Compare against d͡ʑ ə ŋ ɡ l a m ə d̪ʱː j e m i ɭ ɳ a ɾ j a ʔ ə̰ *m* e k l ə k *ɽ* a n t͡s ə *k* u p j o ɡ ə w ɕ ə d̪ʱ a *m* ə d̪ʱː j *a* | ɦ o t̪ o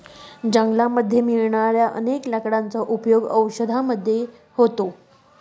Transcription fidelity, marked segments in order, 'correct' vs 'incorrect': incorrect: n, correct, incorrect: ʔ, correct, incorrect: e

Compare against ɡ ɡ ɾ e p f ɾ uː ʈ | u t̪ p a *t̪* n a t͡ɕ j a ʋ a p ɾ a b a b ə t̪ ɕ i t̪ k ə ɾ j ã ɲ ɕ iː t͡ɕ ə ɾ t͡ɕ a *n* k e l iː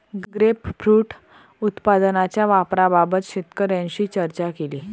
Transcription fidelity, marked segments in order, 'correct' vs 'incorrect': incorrect: d̪, incorrect: none

